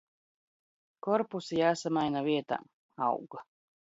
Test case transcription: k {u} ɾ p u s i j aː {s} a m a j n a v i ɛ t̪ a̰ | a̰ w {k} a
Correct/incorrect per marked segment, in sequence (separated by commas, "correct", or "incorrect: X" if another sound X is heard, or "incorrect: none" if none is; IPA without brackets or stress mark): incorrect: ɔ, correct, incorrect: ɡ